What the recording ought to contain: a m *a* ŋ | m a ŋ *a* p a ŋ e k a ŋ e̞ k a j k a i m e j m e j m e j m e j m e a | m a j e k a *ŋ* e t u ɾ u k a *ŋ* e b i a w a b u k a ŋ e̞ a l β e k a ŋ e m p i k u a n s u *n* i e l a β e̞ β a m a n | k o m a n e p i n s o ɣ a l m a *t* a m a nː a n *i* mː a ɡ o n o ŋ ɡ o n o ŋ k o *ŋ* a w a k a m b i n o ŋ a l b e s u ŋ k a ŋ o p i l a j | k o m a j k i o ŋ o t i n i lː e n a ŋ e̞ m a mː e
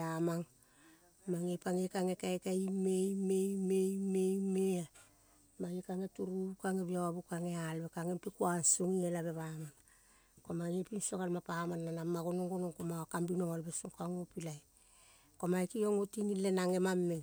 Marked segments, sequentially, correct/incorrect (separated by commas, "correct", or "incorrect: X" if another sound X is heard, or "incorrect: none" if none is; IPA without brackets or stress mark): correct, incorrect: e, correct, correct, incorrect: ŋ, incorrect: p, incorrect: a, incorrect: m